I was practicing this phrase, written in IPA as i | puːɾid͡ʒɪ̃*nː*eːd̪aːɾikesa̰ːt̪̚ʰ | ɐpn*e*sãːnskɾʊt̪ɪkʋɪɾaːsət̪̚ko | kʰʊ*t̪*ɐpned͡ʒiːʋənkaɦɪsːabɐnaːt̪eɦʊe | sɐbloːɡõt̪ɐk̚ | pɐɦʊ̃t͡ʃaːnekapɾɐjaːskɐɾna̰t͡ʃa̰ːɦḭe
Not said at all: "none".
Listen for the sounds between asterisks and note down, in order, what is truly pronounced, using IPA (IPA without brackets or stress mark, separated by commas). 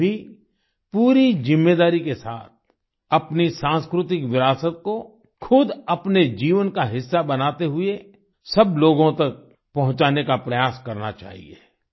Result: mː, i, d̪